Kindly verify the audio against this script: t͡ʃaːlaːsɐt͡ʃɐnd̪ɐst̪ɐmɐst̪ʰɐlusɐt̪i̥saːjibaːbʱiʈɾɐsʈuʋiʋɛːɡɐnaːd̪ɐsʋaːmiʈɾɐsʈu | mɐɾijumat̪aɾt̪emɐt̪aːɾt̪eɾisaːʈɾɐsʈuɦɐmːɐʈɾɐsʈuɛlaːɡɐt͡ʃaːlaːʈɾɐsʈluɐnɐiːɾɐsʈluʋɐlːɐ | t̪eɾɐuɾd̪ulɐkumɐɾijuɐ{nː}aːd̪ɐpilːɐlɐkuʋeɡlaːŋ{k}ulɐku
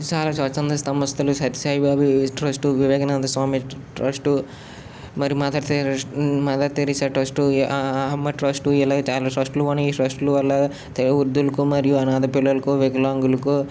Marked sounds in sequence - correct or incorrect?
incorrect: n, incorrect: ɡ

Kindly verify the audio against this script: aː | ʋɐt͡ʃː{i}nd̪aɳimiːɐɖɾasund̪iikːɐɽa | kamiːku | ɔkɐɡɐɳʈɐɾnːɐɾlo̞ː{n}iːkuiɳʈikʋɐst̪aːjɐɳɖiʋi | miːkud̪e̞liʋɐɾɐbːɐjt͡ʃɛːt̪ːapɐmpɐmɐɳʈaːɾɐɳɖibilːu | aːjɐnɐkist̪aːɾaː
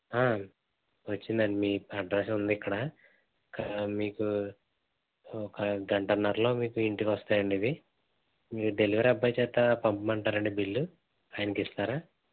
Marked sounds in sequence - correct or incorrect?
correct, incorrect: m

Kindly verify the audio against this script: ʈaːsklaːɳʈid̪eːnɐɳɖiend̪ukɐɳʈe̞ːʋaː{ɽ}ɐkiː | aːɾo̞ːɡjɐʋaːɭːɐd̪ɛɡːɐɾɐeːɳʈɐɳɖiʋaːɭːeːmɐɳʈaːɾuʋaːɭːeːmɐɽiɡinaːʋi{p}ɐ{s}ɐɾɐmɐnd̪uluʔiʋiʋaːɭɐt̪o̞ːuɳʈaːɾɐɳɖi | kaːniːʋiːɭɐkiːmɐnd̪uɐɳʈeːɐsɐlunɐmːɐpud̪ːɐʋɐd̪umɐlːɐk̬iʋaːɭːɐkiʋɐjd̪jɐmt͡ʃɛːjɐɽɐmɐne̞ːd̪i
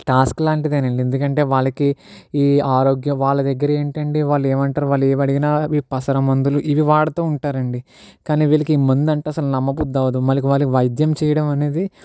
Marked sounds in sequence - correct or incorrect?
incorrect: ɭ, correct, correct

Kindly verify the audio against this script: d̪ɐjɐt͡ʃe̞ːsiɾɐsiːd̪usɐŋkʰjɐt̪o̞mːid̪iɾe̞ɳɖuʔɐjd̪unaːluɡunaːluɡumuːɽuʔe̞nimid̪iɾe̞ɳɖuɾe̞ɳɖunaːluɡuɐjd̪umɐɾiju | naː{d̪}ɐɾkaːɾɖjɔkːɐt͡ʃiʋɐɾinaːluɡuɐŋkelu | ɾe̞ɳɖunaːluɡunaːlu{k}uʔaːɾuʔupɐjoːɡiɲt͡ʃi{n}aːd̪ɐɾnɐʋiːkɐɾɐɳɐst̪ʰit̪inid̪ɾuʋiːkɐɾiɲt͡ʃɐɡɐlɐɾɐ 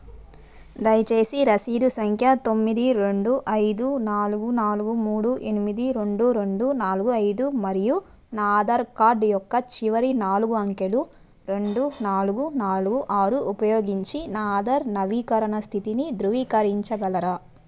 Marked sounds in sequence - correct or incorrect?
correct, incorrect: ɡ, correct

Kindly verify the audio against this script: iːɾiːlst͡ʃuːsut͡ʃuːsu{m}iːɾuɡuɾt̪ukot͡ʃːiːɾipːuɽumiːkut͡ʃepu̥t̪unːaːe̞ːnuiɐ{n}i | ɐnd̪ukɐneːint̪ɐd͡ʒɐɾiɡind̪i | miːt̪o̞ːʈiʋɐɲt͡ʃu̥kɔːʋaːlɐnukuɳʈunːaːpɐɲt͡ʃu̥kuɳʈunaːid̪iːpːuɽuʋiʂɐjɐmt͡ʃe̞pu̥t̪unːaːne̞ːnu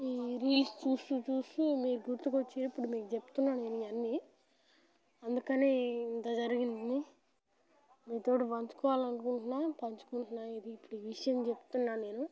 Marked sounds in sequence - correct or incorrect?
correct, incorrect: nː

